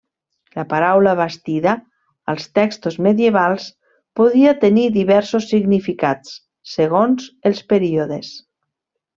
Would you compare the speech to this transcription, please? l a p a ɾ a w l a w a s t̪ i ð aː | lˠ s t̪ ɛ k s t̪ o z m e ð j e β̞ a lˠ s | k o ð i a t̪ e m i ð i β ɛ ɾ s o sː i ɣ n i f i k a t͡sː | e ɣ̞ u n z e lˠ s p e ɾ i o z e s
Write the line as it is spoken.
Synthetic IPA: l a p a ɾ a w l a β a s t̪ i ð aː | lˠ s t̪ ɛ k s t̪ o z m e ð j e β̞ a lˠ s | p o ð i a t̪ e n i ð i β ɛ ɾ s o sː i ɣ n i f i k a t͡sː | e ɣ̞ o n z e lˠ s p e ɾ i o ð e s